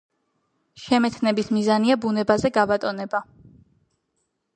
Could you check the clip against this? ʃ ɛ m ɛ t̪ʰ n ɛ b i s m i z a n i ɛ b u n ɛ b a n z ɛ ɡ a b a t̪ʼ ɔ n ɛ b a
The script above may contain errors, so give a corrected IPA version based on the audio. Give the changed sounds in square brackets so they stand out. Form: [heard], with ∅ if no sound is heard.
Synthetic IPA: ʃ ɛ m ɛ t̪ʰ n ɛ b i s m i z a n i [a] b u n ɛ b a [∅] z ɛ ɡ a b a t̪ʼ ɔ n ɛ b a